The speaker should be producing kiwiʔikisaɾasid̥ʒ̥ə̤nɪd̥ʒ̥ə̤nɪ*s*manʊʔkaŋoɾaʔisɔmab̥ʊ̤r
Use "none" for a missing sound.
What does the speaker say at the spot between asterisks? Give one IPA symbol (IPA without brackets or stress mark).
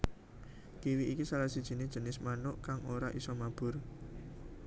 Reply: s